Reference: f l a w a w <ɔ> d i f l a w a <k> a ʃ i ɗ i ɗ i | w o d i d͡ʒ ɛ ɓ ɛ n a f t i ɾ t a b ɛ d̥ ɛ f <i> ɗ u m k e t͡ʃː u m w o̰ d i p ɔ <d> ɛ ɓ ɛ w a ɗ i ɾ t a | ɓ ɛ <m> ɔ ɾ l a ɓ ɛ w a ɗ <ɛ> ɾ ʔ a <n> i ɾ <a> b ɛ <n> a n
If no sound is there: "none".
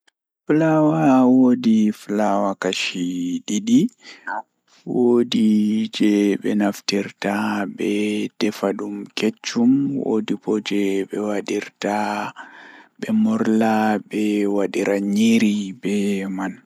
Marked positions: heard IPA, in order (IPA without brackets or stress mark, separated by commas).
o, k, a, d͡ʒ, m, i, ɲ, i, m